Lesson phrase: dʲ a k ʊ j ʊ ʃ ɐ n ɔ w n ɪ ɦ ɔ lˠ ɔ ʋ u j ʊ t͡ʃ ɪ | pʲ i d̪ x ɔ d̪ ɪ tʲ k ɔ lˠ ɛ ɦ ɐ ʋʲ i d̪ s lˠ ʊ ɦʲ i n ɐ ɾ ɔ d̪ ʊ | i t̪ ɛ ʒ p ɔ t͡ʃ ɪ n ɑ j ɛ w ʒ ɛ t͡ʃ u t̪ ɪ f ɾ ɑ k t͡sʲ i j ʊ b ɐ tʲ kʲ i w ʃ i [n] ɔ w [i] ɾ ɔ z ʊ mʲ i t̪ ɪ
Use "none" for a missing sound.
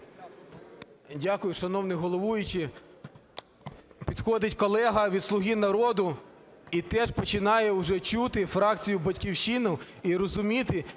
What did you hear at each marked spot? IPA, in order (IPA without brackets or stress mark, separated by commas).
n, i